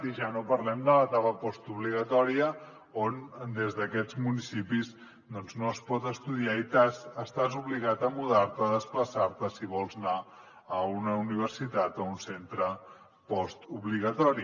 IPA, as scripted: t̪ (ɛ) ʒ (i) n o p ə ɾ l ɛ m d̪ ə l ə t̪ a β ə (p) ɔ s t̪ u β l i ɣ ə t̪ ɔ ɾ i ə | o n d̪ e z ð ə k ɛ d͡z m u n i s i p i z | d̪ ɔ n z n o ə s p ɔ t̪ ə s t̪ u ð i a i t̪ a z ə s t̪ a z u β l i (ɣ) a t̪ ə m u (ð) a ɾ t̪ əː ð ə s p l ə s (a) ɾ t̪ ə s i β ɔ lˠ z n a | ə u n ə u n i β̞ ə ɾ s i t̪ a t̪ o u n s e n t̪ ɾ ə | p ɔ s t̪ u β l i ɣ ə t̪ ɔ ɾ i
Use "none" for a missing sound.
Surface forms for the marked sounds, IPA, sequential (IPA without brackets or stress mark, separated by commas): i, a, p, ɣ, ð, a